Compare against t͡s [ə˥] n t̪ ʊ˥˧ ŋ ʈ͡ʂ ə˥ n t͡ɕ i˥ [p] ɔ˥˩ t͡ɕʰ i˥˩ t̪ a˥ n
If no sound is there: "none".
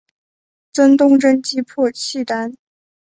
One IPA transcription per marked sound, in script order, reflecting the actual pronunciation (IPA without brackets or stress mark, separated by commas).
ə˥, pʰ